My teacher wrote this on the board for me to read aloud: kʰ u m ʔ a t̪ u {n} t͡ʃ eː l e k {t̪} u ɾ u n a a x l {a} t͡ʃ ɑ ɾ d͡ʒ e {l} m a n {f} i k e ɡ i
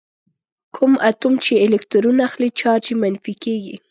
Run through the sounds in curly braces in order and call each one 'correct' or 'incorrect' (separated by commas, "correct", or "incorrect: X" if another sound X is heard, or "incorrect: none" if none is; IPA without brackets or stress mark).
incorrect: m, correct, incorrect: i, incorrect: none, correct